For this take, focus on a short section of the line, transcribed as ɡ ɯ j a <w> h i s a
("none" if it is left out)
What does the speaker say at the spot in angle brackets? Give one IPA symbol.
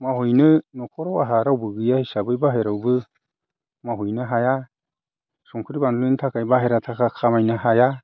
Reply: none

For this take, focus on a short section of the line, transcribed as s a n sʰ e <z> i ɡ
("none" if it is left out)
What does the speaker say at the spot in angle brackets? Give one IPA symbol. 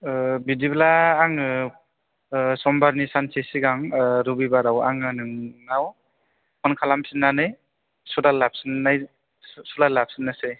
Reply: s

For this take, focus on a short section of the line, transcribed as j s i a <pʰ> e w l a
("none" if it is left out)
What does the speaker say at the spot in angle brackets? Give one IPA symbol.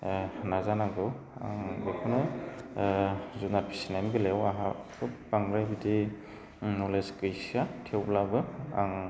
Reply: tʰ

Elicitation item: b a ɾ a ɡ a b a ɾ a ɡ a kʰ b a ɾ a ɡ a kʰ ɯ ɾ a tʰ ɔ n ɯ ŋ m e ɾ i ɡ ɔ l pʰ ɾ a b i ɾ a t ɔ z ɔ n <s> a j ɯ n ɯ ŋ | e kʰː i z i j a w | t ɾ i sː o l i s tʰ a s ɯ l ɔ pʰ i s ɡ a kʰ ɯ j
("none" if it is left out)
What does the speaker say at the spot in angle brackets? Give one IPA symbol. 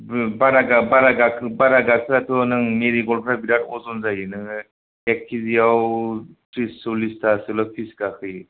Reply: z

